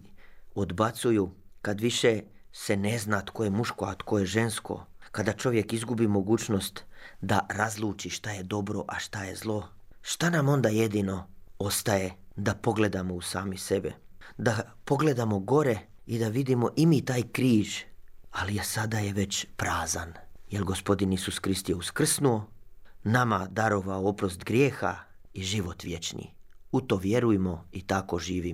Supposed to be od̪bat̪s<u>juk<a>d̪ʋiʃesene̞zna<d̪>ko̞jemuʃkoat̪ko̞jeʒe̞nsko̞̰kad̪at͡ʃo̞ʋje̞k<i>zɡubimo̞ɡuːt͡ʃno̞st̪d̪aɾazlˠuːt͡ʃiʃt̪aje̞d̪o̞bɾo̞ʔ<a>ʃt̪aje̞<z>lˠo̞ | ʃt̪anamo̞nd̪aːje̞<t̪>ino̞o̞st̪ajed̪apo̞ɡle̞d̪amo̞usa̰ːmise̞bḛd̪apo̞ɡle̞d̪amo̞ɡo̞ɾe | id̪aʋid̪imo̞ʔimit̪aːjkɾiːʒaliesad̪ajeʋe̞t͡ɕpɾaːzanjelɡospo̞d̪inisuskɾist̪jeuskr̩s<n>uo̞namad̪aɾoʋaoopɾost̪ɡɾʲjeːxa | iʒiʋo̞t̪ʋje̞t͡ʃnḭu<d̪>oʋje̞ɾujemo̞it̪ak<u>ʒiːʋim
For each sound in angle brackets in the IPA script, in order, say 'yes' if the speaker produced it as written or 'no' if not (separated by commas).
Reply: yes, yes, no, yes, yes, yes, no, yes, no, no